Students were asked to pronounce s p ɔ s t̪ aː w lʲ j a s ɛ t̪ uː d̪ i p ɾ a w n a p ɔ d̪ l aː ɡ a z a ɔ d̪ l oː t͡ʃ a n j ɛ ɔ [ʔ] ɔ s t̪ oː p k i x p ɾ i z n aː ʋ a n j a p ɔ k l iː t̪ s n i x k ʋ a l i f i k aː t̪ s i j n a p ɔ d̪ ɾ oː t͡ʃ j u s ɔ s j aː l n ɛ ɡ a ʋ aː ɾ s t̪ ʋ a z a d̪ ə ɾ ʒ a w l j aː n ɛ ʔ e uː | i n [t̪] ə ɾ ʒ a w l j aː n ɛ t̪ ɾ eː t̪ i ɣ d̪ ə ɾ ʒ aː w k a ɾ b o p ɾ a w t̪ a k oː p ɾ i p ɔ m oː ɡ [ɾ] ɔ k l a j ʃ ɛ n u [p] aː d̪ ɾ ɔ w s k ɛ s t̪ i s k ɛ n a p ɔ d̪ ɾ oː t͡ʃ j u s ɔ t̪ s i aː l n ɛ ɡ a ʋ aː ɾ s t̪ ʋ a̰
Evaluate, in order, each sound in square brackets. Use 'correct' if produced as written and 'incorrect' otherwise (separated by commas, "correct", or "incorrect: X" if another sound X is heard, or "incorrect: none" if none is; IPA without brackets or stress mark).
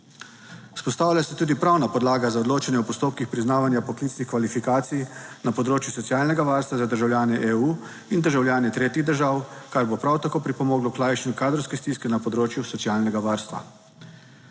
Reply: incorrect: p, incorrect: d̪, incorrect: l, incorrect: k